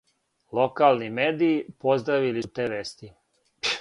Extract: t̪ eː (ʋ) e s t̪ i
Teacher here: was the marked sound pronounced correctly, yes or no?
yes